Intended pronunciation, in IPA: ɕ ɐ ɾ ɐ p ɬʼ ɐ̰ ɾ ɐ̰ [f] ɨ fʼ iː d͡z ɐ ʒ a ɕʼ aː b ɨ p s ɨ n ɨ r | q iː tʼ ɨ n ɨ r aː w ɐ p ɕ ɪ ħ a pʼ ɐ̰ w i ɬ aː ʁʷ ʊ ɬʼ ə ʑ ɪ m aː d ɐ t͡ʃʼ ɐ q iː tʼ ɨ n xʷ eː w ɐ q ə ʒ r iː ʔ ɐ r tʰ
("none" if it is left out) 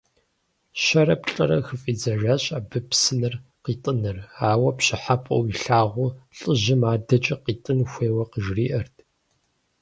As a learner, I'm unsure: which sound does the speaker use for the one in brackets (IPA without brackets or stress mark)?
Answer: x